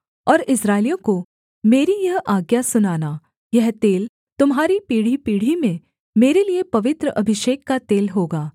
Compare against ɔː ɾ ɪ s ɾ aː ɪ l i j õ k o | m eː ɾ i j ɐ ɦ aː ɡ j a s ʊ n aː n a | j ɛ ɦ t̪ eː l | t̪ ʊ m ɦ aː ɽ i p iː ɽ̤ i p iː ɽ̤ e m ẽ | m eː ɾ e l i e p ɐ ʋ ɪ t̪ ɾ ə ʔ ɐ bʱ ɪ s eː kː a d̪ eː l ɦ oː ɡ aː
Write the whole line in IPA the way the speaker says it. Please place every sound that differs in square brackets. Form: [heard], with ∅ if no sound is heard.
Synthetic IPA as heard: ɔː ɾ ɪ s ɾ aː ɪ l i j õ k o | m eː ɾ i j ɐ ɦ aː ɡ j a s ʊ n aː n a | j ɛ ɦ t̪ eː l | t̪ ʊ m ɦ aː [ɾ] i p iː ɽ̤ i p iː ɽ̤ [i] m ẽ | m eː ɾ e l i e p ɐ ʋ ɪ t̪ ɾ ə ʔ ɐ bʱ ɪ [ʃ] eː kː a [t̪] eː l ɦ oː ɡ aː